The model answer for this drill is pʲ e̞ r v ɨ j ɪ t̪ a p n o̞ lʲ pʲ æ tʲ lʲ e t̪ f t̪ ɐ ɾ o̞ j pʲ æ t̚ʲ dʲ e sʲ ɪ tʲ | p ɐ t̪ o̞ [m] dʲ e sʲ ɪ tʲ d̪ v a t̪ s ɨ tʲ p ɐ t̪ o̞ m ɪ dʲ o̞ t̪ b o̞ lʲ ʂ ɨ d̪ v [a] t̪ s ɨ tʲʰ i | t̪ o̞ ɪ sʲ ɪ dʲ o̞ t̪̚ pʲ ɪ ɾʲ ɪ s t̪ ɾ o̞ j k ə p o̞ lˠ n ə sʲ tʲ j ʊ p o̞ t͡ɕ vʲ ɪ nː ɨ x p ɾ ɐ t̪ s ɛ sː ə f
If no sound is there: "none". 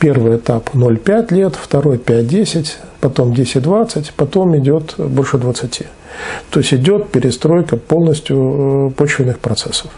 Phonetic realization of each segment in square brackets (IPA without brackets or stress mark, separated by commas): m, ə